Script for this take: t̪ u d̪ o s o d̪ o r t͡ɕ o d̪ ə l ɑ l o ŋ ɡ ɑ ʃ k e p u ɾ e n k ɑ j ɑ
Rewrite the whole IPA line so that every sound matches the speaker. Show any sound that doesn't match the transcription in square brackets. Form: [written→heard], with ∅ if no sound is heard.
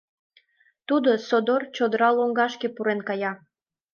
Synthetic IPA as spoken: t̪ u d̪ o s o d̪ o r t͡ɕ o d̪ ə [l→ɾ] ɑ l o ŋ ɡ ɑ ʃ k e p u ɾ e n k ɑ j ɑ